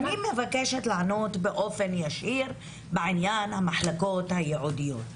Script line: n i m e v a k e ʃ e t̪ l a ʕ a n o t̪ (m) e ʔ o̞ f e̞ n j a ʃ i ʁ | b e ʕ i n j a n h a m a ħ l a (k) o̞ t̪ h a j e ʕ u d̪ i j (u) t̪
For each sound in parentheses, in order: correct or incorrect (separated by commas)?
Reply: incorrect, correct, incorrect